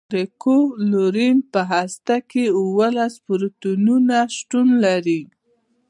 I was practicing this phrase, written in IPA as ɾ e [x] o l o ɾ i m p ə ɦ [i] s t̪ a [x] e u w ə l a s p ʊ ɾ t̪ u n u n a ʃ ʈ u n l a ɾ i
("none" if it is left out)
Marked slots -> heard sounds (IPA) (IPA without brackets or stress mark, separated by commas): k, a, k